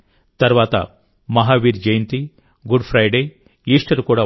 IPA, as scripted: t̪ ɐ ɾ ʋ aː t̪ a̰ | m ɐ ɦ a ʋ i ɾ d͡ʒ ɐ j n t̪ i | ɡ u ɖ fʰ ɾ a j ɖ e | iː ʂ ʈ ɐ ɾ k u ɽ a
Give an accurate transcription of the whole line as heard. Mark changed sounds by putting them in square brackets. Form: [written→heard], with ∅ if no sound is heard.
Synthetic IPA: t̪ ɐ ɾ ʋ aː t̪ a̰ | m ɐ ɦ a ʋ i ɾ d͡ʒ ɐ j n t̪ i | ɡ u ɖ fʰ ɾ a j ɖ e | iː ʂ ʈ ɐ ɾ k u ɽ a